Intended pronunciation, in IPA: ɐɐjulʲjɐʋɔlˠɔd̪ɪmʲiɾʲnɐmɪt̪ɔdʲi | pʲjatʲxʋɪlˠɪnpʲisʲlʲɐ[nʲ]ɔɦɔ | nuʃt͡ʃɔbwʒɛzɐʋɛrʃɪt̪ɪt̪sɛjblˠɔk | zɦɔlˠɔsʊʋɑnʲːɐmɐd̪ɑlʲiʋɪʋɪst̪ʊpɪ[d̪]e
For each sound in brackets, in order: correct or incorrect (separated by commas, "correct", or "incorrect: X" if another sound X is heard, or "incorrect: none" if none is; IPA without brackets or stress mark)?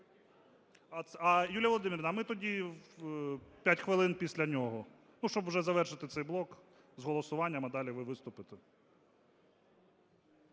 correct, incorrect: t̪